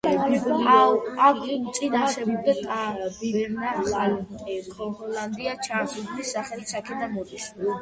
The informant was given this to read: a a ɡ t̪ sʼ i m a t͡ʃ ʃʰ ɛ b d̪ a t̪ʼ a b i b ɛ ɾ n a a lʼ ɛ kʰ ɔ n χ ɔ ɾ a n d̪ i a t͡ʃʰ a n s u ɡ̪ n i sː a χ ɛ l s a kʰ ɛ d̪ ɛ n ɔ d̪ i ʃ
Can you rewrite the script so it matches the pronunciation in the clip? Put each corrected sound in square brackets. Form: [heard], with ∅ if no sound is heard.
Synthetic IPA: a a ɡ t̪ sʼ i [n] a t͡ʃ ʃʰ ɛ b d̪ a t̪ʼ a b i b ɛ ɾ n a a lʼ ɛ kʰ ɔ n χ ɔ [l] a n d̪ i a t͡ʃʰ a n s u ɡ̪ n i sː a χ ɛ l s a kʰ ɛ d̪ [a] n ɔ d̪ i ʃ